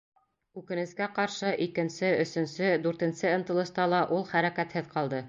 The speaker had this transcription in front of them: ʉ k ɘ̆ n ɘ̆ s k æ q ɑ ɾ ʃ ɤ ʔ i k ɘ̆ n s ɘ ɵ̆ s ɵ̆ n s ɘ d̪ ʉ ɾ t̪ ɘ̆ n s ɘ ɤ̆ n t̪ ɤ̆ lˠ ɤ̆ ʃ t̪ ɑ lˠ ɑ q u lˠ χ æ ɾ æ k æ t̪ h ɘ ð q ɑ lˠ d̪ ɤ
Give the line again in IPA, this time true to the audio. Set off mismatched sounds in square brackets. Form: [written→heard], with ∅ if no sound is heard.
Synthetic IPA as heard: ʉ k ɘ̆ n ɘ̆ s k æ q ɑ ɾ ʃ ɤ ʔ i k ɘ̆ n s ɘ ɵ̆ s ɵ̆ n s ɘ d̪ ʉ ɾ t̪ ɘ̆ n s ɘ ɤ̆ n t̪ ɤ̆ lˠ ɤ̆ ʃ t̪ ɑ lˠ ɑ [q→ʔ] u lˠ χ æ ɾ æ k æ t̪ h ɘ ð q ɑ lˠ d̪ ɤ